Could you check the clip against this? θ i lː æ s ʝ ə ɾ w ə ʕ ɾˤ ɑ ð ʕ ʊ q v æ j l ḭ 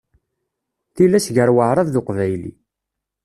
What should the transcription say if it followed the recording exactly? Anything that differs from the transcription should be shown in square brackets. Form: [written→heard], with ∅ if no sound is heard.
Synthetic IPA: θ i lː æ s ʝ ə ɾ w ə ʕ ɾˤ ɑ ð [ʕ→ð] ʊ q v æ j l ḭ